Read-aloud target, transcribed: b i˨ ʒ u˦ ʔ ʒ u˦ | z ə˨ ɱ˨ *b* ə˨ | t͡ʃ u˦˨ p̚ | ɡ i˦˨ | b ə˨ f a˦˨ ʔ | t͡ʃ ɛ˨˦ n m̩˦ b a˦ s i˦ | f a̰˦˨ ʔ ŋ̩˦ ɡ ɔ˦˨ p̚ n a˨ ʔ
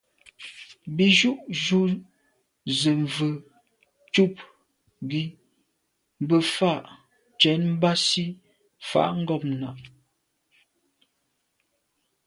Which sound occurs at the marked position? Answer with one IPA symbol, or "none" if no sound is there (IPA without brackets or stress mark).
v